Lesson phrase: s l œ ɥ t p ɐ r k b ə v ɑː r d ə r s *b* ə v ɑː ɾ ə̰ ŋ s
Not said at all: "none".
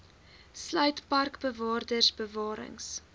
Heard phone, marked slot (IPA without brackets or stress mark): b